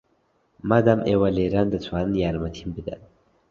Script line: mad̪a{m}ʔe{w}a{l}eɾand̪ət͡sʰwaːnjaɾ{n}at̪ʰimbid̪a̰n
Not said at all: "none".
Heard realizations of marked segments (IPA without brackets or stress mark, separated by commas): m, w, l, m